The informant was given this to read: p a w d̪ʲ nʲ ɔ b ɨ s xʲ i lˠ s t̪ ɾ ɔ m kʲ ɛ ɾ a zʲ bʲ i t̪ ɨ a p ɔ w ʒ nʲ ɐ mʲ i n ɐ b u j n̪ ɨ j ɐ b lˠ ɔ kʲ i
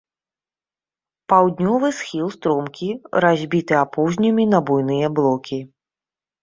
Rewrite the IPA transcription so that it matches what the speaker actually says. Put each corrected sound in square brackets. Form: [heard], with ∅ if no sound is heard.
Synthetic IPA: p a w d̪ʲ nʲ ɔ [v] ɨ s xʲ i lˠ s t̪ ɾ ɔ m kʲ [i] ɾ a zʲ bʲ i t̪ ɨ a p ɔ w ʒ nʲ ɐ mʲ i n ɐ b u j n̪ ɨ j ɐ b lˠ ɔ kʲ i